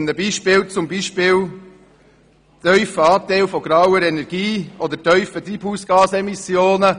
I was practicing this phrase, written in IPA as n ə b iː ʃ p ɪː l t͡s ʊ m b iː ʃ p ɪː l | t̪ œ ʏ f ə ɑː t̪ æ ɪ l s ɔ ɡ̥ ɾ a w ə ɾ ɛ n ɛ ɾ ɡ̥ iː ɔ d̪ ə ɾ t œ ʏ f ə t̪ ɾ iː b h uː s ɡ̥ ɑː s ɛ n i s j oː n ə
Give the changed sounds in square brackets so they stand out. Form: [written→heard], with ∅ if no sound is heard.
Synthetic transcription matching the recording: n ə b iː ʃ p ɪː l t͡s ʊ m b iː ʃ p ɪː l | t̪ œ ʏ f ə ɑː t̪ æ ɪ l [s→f] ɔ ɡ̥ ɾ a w ə ɾ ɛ n ɛ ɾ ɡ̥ iː ɔ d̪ ə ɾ t œ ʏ f ə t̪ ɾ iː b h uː s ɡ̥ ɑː s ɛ [n→m] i s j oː n ə